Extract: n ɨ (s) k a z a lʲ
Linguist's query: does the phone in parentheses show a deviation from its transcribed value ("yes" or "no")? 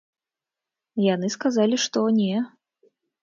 no